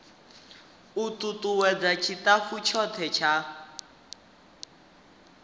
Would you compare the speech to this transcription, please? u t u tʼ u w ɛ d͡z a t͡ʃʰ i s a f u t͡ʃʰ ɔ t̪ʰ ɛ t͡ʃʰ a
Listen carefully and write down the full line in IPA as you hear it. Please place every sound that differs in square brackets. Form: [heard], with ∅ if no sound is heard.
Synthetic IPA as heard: u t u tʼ u w ɛ d͡z a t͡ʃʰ i [t] a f u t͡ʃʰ ɔ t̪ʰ ɛ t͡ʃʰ a

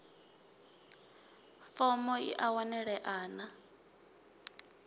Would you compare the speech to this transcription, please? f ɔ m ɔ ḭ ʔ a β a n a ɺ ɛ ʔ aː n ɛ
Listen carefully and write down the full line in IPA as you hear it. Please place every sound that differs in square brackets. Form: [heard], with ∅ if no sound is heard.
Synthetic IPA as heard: f ɔ m ɔ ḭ ʔ a [w] a n [ɛ] ɺ ɛ ʔ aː n [a]

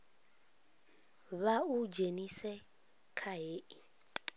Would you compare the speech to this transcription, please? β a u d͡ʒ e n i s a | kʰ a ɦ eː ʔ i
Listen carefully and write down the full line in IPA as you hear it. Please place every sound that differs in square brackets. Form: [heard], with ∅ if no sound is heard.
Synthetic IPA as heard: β a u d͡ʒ e n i s [ɛ] | kʰ a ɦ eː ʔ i

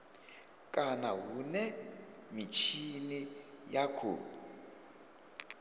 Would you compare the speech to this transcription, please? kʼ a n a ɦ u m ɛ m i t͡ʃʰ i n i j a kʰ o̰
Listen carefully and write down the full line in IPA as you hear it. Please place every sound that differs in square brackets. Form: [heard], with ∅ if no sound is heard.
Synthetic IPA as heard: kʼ a n a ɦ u [n] ɛ m i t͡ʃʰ i n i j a kʰ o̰

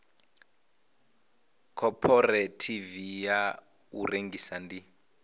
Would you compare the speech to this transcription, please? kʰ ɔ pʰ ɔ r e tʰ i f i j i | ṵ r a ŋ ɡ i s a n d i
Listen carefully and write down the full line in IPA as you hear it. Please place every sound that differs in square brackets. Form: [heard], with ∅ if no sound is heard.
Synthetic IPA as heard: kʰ ɔ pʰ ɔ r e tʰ i [v] i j [a] | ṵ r [e] ŋ ɡ i s a n d i

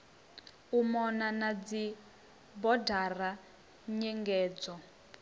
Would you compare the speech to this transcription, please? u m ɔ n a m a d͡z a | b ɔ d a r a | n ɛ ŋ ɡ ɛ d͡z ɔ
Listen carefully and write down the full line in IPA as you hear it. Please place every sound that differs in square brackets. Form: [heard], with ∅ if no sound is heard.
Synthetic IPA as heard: u m ɔ n a [n] a d͡z [i] | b ɔ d a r a | [ɲ] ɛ ŋ ɡ [ɛː] d͡z ɔ

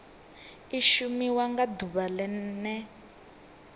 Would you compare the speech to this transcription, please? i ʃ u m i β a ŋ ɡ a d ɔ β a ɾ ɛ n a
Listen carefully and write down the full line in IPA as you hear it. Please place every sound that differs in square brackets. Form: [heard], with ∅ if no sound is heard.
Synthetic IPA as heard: i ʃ u m i [w] a ŋ ɡ a d [u] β a [l] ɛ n [ɛ]

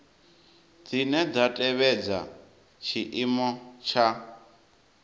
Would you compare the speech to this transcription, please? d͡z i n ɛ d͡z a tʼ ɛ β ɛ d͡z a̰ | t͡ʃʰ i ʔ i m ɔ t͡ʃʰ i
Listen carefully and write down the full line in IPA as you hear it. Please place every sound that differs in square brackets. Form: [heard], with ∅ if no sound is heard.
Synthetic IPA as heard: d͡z i n ɛ d͡z a tʼ ɛ β ɛ d͡z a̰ | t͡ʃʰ i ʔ i m ɔ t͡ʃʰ [a]

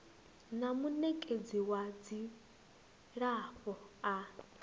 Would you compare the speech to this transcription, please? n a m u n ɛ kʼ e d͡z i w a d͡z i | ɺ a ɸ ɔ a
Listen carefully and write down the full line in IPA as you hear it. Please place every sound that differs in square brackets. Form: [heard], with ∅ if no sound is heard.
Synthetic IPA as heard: n a m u n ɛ kʼ e d͡z i w a d͡z i | ɺ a ɸ ɔ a

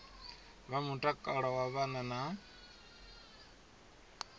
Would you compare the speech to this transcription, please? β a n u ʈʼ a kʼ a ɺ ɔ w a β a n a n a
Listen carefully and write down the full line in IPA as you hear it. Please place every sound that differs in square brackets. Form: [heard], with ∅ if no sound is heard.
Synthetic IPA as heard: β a [m] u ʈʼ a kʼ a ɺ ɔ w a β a n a n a

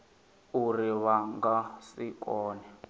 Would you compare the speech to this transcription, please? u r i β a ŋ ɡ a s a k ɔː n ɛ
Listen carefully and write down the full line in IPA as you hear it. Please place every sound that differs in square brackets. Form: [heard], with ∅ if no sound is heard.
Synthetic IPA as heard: u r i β a ŋ ɡ a s [i] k ɔː n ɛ

